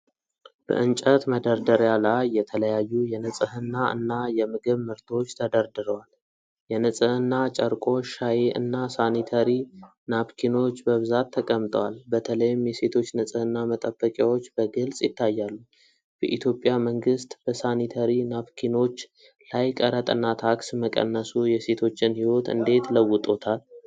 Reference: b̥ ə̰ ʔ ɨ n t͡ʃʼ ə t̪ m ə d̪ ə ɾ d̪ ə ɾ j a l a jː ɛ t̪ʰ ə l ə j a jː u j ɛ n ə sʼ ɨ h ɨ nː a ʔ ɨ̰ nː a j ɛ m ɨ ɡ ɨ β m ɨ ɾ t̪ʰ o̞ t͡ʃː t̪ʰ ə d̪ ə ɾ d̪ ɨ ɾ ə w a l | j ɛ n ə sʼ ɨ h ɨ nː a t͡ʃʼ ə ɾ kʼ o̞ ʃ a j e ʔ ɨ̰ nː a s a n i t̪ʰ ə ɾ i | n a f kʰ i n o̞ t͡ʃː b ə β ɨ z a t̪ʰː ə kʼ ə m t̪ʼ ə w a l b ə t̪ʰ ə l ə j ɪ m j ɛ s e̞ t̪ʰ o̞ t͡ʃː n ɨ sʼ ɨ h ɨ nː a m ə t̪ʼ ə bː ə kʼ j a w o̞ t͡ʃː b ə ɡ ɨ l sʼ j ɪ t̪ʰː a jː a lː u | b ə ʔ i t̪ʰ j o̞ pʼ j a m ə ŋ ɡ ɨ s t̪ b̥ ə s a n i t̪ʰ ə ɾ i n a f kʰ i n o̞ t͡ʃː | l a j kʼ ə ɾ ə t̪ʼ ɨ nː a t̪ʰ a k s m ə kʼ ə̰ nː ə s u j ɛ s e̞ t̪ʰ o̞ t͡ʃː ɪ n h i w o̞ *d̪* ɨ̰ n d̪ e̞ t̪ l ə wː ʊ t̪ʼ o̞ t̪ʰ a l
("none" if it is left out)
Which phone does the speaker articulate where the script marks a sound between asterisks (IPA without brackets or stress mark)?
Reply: t̪